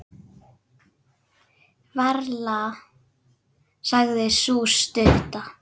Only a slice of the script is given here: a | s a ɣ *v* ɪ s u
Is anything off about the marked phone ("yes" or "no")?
yes